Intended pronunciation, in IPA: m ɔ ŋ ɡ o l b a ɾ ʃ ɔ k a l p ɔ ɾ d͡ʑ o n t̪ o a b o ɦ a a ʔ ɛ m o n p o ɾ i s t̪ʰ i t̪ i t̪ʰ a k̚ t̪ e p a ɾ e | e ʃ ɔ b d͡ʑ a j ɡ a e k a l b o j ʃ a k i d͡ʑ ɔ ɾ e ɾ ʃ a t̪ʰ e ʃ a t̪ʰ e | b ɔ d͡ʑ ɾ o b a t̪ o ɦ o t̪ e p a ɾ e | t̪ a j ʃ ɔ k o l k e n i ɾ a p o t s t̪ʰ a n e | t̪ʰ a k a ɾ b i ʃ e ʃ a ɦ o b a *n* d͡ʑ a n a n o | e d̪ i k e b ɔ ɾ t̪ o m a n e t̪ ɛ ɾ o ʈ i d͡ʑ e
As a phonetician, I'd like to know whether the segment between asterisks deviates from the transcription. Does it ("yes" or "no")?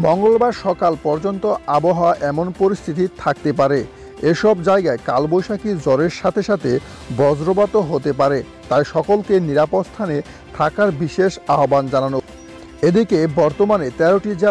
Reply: no